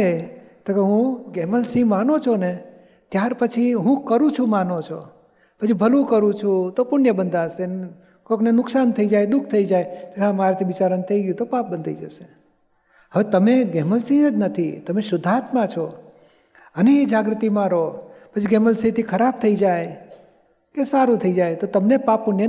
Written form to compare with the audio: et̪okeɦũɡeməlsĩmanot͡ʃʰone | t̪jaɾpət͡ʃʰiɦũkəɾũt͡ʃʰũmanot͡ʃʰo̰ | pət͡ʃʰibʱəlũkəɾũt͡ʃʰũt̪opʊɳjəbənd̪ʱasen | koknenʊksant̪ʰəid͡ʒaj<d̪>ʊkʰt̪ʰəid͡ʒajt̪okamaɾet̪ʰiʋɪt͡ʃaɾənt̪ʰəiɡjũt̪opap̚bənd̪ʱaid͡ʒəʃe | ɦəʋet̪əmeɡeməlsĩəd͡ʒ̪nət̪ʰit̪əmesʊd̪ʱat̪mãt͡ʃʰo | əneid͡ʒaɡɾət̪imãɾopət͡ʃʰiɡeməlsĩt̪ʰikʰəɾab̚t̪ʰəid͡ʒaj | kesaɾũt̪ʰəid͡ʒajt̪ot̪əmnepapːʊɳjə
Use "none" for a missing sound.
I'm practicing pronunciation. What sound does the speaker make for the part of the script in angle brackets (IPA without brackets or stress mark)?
d̪